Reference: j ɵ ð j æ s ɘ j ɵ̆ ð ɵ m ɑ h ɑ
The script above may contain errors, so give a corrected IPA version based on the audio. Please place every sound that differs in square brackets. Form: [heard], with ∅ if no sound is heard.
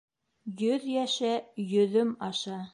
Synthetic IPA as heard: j ɵ ð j æ [ʃ] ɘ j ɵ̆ ð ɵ m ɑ [ʃ] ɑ